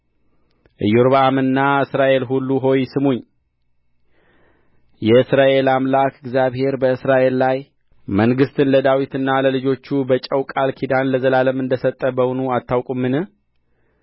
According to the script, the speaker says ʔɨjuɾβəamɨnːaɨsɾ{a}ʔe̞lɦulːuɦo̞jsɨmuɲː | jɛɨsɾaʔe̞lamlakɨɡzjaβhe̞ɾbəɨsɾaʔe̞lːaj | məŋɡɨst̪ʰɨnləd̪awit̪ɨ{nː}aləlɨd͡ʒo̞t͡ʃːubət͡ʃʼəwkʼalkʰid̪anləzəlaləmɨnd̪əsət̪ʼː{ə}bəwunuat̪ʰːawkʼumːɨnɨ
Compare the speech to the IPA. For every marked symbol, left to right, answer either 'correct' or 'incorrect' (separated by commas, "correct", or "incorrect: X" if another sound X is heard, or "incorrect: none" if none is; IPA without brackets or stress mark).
correct, correct, correct